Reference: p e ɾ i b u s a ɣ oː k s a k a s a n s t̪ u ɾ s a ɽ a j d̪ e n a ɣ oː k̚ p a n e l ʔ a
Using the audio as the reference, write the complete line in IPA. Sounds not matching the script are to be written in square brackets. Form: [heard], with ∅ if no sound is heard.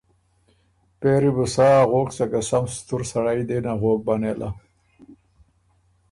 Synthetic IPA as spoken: p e ɾ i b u s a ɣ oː k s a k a s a [m] s t̪ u ɾ s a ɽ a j d̪ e n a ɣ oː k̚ [b] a n e l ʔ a